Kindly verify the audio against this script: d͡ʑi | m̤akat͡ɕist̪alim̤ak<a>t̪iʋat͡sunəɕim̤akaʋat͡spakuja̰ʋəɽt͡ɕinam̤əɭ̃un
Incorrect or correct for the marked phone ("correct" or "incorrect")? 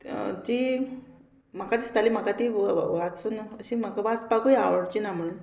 correct